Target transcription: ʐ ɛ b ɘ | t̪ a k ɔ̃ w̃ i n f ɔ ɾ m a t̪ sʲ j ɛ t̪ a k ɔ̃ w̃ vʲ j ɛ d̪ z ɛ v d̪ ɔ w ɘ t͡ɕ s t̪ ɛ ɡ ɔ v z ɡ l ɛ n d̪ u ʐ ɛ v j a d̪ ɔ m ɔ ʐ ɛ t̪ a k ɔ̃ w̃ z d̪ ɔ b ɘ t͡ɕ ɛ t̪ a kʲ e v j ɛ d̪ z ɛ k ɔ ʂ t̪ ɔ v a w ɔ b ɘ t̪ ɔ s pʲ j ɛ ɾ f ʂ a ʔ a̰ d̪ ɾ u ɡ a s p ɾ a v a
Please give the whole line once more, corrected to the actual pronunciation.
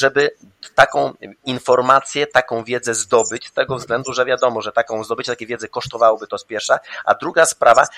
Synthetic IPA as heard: ʐ ɛ b ɘ | t̪ a k ɔ̃ w̃ i n f ɔ ɾ m a t̪ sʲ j ɛ t̪ a k ɔ̃ w̃ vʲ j ɛ d̪ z ɛ z d̪ ɔ b ɘ t͡ɕ s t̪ ɛ ɡ ɔ v z ɡ l ɛ n d̪ u ʐ ɛ v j a d̪ ɔ m ɔ ʐ ɛ t̪ a k ɔ̃ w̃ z d̪ ɔ b ɘ t͡ɕ ɛ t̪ a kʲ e v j ɛ d̪ z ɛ k ɔ ʂ t̪ ɔ v a w ɔ b ɘ t̪ ɔ s pʲ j ɛ ɾ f ʂ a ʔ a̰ d̪ ɾ u ɡ a s p ɾ a v a